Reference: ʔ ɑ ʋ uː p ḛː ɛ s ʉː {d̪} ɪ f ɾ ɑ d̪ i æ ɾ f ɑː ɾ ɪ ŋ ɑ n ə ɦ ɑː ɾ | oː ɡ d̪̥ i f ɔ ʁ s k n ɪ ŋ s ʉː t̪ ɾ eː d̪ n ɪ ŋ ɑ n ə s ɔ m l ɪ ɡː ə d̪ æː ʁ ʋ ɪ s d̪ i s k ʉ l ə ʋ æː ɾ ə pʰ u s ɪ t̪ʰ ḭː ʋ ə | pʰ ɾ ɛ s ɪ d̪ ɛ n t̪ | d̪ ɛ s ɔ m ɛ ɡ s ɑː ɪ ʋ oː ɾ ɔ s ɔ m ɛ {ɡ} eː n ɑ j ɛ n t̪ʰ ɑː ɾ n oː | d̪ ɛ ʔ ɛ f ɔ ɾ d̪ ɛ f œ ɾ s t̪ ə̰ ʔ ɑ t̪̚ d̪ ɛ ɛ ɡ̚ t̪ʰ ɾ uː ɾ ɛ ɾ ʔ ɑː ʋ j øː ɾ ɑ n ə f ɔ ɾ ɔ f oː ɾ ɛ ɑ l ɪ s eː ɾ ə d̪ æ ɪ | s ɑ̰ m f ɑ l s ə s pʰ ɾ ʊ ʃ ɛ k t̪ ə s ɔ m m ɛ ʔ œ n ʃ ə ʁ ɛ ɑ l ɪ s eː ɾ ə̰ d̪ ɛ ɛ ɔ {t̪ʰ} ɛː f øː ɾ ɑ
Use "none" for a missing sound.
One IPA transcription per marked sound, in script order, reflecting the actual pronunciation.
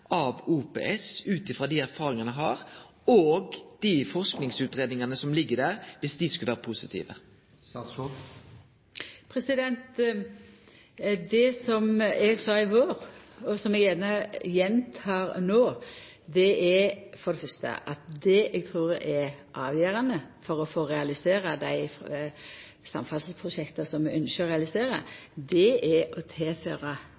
t̪, ɡ, t̪ʰ

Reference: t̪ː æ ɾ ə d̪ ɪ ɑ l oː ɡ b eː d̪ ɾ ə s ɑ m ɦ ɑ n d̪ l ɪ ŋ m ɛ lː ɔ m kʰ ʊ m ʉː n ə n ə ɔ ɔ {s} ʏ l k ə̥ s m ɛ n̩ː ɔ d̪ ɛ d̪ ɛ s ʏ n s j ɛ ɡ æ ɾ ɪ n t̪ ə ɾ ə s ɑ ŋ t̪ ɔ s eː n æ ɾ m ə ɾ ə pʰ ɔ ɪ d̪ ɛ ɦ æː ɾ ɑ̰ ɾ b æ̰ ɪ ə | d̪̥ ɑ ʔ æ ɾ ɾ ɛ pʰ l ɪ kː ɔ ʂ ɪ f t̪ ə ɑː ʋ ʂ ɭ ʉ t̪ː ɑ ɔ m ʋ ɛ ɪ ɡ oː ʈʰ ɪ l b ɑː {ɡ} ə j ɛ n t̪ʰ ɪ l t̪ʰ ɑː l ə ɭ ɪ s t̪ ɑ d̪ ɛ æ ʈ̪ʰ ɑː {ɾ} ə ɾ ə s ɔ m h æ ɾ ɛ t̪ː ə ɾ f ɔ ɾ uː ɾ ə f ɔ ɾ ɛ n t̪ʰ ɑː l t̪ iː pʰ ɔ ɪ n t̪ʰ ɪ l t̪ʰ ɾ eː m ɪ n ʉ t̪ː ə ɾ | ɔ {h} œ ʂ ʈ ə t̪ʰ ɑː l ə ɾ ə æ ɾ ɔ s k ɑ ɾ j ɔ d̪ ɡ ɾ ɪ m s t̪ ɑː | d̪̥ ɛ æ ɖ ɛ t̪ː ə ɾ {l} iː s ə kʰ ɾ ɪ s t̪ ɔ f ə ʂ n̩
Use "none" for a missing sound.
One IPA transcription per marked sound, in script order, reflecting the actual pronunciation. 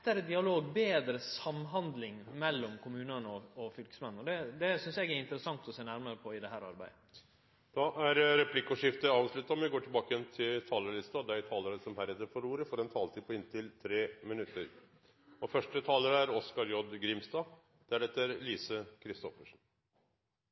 f, k, l, f, l

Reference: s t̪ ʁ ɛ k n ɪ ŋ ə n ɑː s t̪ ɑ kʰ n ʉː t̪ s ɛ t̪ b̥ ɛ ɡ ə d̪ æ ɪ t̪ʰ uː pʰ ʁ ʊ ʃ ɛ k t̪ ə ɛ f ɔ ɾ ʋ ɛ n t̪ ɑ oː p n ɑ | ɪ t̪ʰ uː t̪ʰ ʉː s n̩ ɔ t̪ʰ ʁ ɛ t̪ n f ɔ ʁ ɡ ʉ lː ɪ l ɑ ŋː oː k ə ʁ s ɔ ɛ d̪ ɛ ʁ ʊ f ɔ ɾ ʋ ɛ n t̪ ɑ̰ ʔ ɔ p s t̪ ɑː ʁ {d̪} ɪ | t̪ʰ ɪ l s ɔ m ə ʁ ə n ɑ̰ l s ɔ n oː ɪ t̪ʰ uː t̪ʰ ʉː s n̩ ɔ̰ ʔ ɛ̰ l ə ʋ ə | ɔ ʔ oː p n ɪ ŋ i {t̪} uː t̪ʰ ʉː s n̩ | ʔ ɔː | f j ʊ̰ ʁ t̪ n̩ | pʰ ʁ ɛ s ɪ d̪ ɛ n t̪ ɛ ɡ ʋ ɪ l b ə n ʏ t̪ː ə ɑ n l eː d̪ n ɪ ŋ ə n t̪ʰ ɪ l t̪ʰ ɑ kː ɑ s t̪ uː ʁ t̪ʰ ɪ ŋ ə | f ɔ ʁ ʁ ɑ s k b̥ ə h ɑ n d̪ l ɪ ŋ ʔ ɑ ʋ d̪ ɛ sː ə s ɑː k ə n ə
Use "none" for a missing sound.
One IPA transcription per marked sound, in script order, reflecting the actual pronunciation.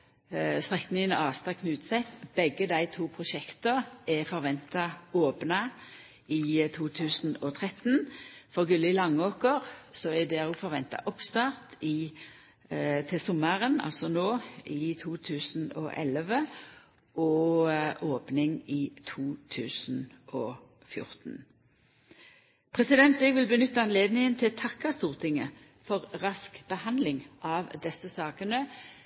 t̪, t̪ʰ

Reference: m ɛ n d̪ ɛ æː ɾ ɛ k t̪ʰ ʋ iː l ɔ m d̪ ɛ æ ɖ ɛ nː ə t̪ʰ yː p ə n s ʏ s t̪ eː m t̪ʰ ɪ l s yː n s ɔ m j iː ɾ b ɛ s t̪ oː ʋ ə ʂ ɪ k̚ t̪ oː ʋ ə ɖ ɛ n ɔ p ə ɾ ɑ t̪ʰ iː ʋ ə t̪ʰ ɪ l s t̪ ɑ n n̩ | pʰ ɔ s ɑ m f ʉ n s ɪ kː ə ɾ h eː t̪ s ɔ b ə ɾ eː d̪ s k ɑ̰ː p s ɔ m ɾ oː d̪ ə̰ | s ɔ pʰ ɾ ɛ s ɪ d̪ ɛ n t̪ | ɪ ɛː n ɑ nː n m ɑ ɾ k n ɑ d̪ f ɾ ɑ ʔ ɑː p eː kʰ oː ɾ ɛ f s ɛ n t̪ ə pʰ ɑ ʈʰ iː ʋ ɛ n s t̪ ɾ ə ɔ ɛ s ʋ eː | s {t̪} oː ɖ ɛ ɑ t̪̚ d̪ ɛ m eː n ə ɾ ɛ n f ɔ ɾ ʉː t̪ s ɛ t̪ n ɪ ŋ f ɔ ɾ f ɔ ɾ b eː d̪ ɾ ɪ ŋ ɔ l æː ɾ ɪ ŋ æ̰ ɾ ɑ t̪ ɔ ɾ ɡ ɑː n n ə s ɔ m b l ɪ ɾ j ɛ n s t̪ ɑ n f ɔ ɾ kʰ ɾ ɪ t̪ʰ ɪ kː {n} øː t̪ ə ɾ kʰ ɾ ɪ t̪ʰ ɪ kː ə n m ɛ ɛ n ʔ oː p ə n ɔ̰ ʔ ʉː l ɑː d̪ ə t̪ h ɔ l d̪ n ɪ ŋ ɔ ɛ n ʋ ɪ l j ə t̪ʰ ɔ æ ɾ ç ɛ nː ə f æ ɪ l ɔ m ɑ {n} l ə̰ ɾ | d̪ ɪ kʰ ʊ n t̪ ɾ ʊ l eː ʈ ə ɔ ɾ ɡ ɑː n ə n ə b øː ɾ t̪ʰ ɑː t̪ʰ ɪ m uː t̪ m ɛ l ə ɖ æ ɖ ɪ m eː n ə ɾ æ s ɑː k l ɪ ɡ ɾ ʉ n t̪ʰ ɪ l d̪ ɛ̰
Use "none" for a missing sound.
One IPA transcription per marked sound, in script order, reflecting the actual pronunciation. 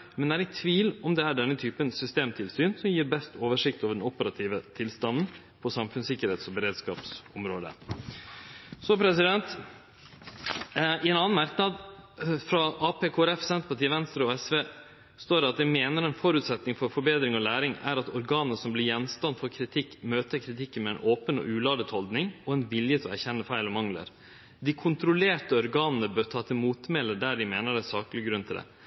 t̪, m, ŋ

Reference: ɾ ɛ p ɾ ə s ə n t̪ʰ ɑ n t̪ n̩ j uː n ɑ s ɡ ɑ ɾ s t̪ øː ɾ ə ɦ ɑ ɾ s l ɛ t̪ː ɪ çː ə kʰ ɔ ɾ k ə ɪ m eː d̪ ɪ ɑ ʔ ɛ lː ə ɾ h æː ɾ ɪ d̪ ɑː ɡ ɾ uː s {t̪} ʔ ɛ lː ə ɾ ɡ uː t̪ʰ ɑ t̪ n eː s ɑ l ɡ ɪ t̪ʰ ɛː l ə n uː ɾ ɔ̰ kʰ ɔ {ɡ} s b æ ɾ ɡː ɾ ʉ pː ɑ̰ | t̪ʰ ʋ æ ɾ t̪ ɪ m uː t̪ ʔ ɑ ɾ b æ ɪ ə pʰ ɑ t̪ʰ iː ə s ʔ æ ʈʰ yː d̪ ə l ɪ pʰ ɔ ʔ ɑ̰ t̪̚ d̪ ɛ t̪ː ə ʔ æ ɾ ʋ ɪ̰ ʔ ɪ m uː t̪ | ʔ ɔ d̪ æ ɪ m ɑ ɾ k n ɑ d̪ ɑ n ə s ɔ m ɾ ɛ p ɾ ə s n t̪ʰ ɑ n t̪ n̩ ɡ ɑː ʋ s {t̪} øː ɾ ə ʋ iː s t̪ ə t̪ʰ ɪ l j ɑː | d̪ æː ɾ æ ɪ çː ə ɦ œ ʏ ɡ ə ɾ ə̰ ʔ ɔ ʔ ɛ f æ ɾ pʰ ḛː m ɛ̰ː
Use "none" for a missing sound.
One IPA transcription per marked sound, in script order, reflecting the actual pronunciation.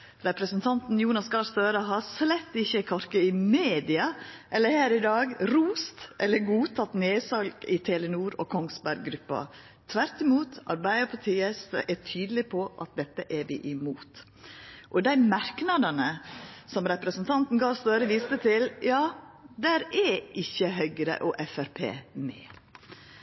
t̪, ŋ, t̪

